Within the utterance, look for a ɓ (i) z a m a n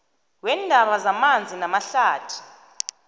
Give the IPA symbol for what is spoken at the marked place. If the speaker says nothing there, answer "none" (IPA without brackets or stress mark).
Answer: a